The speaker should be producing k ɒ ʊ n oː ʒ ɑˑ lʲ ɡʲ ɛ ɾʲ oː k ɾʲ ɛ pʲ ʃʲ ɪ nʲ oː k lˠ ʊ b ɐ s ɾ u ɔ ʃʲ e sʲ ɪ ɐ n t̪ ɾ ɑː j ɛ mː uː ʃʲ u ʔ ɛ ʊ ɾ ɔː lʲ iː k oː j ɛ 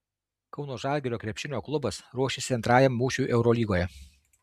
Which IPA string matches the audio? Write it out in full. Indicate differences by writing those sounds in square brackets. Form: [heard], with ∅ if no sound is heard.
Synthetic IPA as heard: k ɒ ʊ n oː ʒ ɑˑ lʲ ɡʲ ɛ ɾʲ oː k ɾʲ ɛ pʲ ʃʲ ɪ nʲ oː k lˠ ʊ b ɐ s ɾ u ɔ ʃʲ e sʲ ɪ ɐ n t̪ ɾ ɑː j ɛ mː uː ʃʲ u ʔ ɛ ʊ ɾ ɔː lʲ iː [ɡ] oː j ɛ